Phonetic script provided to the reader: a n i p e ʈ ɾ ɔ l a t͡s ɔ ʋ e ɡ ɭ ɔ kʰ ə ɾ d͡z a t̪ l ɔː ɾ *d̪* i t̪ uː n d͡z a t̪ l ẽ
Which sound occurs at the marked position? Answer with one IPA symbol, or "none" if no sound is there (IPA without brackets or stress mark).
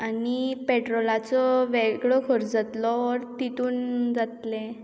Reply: t̪